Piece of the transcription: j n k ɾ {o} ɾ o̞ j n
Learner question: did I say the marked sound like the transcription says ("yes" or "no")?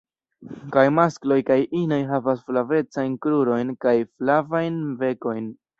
no